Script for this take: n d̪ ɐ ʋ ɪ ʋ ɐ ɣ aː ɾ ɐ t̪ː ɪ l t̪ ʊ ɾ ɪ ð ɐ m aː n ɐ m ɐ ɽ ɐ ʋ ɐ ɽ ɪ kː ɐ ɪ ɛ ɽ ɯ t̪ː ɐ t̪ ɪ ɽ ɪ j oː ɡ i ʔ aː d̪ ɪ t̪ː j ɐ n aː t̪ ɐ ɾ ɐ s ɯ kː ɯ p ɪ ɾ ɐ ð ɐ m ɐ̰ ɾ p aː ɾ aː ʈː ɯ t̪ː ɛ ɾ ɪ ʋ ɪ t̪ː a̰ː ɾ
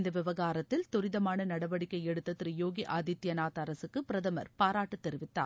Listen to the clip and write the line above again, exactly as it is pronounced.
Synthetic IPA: n d̪ ɐ ʋ ɪ ʋ ɐ ɣ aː ɾ ɐ t̪ː ɪ l t̪ ʊ ɾ ɪ ð ɐ m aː n ɐ n ɐ ɽ ɐ ʋ ɐ ɽ ɪ kː ɐ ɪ ɛ ɽ ɯ t̪ː ɐ t̪ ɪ ɾ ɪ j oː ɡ i ʔ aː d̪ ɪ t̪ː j ɐ n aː t̪ ɐ ɾ ɐ s ɯ kː ɯ p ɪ ɾ ɐ ð ɐ m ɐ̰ ɾ p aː ɾ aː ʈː ɯ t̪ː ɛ ɾ ɪ ʋ ɪ t̪ː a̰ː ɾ

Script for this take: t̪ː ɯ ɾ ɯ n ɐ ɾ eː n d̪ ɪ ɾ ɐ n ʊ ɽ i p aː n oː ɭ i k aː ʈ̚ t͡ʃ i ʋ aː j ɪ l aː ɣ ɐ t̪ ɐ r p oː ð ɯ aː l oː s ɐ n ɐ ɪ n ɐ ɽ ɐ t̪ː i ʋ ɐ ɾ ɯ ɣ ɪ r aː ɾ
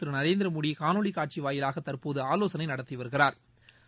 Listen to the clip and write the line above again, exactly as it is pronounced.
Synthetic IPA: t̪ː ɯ ɾ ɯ n ɐ ɾ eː n d̪ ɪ ɾ ɐ m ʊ ɽ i k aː n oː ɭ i k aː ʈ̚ t͡ʃ i ʋ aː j ɪ l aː ɣ ɐ t̪ ɐ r p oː ð ɯ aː l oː s ɐ n ɐ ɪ n ɐ ɽ ɐ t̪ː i ʋ ɐ ɾ ɯ ɣ ɪ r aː ɾ

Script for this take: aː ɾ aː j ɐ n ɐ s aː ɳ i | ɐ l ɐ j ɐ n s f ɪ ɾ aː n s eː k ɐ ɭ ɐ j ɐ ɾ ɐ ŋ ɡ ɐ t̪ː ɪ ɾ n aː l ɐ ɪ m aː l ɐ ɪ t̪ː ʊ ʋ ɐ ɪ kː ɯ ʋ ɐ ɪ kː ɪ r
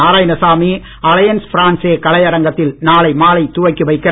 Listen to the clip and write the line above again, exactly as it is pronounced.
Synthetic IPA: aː ɾ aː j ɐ n ɐ s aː m i | ɐ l ɐ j ɐ n s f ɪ ɾ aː n s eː k ɐ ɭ ɐ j ɐ ɾ ɐ ŋ ɡ ɐ t̪ː ɪ l n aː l ɐ ɪ m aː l ɐ ɪ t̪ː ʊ ʋ ɐ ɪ kː ɯ ʋ ɐ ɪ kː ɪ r

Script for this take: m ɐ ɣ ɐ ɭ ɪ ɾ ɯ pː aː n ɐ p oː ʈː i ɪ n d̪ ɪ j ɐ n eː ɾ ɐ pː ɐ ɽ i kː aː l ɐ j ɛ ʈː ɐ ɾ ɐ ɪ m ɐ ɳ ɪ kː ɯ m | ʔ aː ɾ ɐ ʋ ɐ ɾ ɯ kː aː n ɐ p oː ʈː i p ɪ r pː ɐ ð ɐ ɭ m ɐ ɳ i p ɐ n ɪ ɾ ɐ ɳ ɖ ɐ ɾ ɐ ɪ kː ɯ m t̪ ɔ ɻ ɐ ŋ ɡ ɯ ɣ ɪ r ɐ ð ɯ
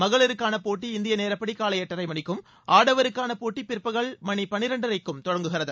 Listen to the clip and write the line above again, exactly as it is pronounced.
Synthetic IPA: m ɐ ɣ ɐ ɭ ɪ ɾ ɯ kː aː n ɐ p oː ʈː i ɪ n d̪ ɪ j ɐ n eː ɾ ɐ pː ɐ ɽ i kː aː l ɐ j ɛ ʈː ɐ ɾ ɐ ɪ m ɐ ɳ ɪ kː ɯ m | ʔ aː ɽ ɐ ʋ ɐ ɾ ɯ kː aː n ɐ p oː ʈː i p ɪ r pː ɐ ɣ ɐ ɭ m ɐ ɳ i p ɐ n ɪ ɾ ɐ ɳ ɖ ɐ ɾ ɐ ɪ kː ɯ m t̪ ɔ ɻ ɐ ŋ ɡ ɯ ɣ ɪ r ɐ ð ɯ

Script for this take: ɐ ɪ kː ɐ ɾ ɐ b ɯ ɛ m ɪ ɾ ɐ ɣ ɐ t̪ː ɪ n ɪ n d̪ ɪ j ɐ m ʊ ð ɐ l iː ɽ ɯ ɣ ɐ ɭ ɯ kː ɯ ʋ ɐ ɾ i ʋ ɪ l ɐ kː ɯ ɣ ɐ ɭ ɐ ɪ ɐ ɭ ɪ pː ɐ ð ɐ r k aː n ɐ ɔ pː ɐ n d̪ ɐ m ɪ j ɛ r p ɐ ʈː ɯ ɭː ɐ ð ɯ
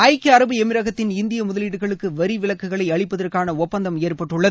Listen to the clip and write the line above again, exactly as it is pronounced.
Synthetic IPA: ɐ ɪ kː ɐ ɾ ɐ b ɯ ɛ m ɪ ɾ ɐ ɣ ɐ t̪ː ɪ n ɪ n d̪ ɪ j ɐ m ʊ ð ɐ l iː ɽ ɯ ɣ ɐ ɭ ɯ kː ɯ ʋ ɐ ɾ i ʋ ɪ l ɐ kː ɯ ɣ ɐ ɭ ɐ ɪ ɐ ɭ ɪ pː ɐ ð ɐ r k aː n ɐ ɔ pː ɐ n d̪ ɐ m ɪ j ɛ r p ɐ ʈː ɯ ɭː ɐ ð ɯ

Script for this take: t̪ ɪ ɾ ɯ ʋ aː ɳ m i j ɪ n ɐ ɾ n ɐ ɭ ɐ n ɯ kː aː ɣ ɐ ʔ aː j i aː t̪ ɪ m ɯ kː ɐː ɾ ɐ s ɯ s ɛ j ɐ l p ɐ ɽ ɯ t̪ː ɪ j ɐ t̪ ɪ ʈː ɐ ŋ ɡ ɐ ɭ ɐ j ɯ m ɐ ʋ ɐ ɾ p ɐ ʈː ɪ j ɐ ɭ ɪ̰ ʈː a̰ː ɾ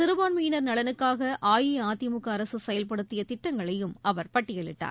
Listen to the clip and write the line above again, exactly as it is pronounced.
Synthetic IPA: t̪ ɪ ɾ ɯ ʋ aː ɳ m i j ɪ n ɐ ɾ n ɐ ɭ ɐ n ɯ kː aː ɣ ɐ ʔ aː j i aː t̪ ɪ m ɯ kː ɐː ɾ ɐ s ɯ s ɛ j ɐ l p ɐ ɽ ɯ t̪ː ɪ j ɐ t̪ ɪ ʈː ɐ ŋ ɡ ɐ ɭ ɐ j ɯ m ɐ ʋ ɐ ɾ p ɐ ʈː ɪ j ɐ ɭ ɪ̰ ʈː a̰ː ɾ

